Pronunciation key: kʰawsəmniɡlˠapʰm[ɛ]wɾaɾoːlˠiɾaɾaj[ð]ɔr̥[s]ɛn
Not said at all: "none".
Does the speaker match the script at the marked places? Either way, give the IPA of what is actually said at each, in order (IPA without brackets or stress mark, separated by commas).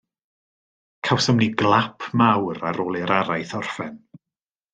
a, θ, f